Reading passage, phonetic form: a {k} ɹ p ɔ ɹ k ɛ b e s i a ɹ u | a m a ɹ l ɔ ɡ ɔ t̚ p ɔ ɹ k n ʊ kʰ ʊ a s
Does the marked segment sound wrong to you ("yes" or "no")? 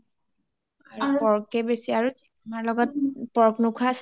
yes